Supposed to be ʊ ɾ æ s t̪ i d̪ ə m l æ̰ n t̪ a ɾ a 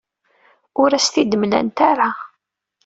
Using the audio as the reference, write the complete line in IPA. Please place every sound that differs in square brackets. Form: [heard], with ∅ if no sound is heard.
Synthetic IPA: ʊ ɾ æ s t̪ i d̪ ə m l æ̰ n t̪ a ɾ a

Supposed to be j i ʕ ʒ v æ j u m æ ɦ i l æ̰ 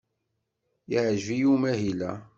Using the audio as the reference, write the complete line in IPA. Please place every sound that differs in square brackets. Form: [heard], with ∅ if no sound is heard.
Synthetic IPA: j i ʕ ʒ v [i] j u m æ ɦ i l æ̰

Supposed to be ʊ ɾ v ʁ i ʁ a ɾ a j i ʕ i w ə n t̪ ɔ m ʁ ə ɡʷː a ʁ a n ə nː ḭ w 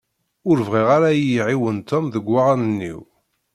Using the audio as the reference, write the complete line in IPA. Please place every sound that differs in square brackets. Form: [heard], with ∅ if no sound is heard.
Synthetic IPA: ʊ ɾ v ʁ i ʁ a ɾ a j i ʕ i w ə n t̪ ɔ m [ð] ə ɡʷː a ʁ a n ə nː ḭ w

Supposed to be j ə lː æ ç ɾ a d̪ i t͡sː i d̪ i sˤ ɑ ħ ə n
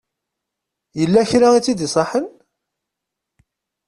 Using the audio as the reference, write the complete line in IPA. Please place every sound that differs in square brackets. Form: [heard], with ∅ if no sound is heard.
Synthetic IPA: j ə lː æ ç ɾ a [∅] i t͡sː i d̪ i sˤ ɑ ħ ə n

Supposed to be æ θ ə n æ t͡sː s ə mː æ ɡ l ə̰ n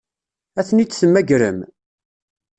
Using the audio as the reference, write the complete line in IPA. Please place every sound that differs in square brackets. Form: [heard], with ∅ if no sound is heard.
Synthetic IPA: æ θ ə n [i] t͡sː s ə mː æ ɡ [ɾ] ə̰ [m]

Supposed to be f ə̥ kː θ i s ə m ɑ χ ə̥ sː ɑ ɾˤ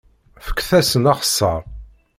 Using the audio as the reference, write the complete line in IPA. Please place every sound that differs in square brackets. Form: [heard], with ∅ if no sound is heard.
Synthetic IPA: f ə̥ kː θ [æ] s ə [n] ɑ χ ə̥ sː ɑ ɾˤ

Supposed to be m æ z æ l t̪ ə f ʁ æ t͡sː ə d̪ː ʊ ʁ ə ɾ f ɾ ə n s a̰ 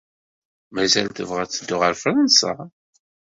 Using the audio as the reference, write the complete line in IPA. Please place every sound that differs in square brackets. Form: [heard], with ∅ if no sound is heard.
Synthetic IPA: m æ z æ l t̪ ə [v] ʁ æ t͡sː ə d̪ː ʊ ʁ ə ɾ f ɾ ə n s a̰

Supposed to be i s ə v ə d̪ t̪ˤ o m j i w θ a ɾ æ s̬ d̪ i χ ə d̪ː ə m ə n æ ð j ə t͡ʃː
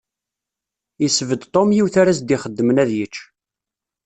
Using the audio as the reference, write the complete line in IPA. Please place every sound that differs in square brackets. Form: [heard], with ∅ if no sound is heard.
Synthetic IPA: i s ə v ə d̪ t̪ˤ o m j i w θ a ɾ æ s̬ d̪ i χ ə d̪ː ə m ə n æ ð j ə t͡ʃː

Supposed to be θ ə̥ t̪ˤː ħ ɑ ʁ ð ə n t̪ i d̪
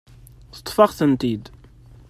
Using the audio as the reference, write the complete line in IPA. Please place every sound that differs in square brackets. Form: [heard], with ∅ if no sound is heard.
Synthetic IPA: θ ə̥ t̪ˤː [f] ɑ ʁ [θ] ə n t̪ i d̪

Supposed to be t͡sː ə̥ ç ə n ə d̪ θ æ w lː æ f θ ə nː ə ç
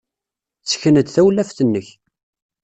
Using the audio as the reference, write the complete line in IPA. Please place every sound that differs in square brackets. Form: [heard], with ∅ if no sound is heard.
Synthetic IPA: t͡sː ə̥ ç ə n ə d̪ θ æ w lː æ f θ ə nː ə ç

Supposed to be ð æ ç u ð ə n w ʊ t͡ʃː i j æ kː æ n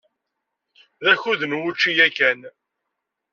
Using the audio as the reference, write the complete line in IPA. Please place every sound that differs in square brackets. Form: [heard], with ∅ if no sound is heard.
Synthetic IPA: ð æ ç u ð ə n w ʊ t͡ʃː i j æ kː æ n

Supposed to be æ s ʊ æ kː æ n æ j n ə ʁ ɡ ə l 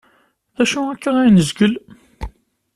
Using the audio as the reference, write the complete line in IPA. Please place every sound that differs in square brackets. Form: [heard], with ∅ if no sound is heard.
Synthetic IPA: æ [ʃ] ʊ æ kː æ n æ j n ə [z] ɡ ə l

